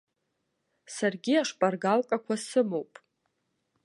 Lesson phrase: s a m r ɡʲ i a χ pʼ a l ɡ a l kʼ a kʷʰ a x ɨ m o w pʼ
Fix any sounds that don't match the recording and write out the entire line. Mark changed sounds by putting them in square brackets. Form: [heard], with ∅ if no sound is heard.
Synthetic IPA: s a [∅] r ɡʲ i a [ʂ] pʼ a [r] ɡ a l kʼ a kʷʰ a [s] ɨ m o w pʼ